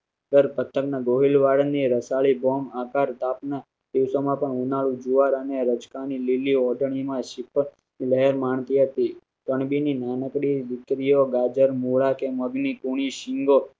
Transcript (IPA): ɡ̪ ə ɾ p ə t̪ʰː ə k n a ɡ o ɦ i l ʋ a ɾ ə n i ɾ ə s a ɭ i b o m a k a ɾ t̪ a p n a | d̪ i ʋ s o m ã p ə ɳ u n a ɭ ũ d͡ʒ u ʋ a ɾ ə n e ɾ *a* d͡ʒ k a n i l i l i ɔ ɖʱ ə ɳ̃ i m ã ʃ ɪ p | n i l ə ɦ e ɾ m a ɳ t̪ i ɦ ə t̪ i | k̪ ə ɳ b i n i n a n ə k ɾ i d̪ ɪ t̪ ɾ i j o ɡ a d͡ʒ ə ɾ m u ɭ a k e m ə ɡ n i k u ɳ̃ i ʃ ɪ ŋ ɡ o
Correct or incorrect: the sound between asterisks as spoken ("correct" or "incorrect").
incorrect